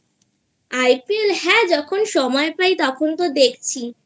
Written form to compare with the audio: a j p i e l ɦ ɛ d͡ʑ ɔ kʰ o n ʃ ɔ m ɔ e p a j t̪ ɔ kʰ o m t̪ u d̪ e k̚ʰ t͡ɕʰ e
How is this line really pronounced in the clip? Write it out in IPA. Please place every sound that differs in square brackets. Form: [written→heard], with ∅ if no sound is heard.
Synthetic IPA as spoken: a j p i e l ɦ ɛ d͡ʑ ɔ kʰ o n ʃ ɔ m ɔ e p a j t̪ ɔ kʰ o [m→n] t̪ [u→o] d̪ e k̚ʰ t͡ɕʰ [e→i]